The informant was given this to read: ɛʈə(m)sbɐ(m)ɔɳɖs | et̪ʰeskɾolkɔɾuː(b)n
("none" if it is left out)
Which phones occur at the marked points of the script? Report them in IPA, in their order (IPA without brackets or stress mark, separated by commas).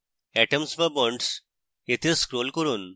m, b, none